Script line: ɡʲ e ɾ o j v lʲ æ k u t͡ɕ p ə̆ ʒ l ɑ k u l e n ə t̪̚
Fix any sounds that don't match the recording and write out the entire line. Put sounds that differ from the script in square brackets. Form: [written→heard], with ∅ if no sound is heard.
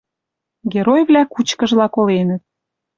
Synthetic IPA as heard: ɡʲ e ɾ o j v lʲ æ k u t͡ɕ [p→k] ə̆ ʒ l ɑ k [u→o] l e n ə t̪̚